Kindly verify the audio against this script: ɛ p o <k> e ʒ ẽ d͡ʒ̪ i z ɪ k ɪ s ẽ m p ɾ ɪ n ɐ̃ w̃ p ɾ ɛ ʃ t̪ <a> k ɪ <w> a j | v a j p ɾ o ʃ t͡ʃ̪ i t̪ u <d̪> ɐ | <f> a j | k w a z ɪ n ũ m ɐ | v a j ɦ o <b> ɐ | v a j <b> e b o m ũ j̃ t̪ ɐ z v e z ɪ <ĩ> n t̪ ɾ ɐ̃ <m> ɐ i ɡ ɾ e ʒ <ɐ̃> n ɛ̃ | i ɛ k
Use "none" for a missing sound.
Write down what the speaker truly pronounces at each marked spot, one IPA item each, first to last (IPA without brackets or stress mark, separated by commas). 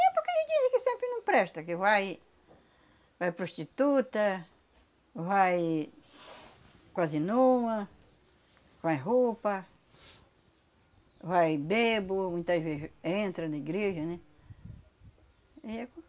k, ɐ, v, t̪, v, p, b, ẽ, n, ɐ